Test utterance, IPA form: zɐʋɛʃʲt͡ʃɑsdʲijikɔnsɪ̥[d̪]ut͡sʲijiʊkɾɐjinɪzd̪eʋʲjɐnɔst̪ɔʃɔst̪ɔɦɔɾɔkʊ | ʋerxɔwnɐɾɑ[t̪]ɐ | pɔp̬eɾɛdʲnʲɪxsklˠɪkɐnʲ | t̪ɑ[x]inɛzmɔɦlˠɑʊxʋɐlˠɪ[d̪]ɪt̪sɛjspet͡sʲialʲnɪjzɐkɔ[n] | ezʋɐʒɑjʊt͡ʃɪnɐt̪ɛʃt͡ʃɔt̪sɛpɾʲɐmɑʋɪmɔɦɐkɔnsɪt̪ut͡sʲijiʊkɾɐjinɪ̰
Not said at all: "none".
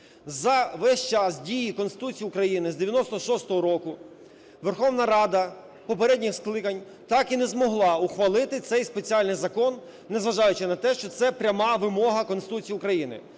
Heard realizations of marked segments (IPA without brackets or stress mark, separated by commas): t̪, d̪, k, t̪, nː